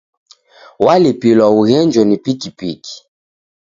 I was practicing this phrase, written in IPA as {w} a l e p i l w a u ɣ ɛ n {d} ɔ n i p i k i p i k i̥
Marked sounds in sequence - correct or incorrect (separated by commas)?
correct, incorrect